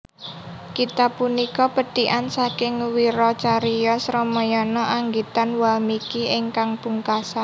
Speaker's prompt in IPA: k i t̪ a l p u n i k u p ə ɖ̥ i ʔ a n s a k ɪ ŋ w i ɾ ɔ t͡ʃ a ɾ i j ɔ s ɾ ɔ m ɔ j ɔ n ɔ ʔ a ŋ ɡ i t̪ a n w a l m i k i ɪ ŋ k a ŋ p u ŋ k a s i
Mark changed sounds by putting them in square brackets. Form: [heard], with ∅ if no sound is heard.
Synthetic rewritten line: k i t̪ a [∅] p u n i k [ɔ] p ə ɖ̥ i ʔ a n s a k ɪ ŋ w i ɾ ɔ t͡ʃ a ɾ i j ɔ s ɾ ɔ m ɔ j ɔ n ɔ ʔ a ŋ ɡ i t̪ a n w a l m i k i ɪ ŋ k a ŋ p u ŋ k a s [a]